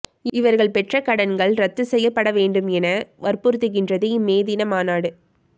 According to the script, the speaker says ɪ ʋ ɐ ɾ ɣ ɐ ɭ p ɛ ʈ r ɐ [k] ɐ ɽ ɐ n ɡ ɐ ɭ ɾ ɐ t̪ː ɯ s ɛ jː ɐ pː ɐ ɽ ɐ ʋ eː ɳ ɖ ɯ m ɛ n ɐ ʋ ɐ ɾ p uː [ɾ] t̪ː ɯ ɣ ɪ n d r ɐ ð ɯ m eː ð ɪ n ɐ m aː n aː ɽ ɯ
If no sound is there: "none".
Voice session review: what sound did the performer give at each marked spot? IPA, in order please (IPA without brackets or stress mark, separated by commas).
k, ɾ